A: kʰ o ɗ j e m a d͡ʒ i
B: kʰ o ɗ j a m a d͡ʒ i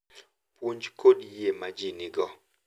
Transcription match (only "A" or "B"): A